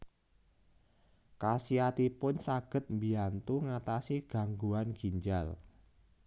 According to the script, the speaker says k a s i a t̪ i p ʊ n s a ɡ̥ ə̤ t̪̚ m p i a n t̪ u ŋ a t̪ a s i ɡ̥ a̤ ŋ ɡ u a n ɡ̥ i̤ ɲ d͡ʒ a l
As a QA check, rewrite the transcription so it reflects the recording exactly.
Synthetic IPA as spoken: k a s i a t̪ i p ʊ n s a ɡ̥ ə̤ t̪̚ m b i a n t̪ u ŋ a t̪ a s i ɡ̥ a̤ ŋ ɡ u a n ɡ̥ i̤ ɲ d͡ʒ a l